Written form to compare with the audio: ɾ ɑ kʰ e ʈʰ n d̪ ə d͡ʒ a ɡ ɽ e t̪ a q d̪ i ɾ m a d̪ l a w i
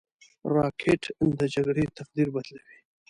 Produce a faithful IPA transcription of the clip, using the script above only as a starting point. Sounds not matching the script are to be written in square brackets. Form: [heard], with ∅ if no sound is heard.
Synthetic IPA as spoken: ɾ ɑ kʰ e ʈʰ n d̪ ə d͡ʒ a ɡ ɽ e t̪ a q d̪ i ɾ [b] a d̪ l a w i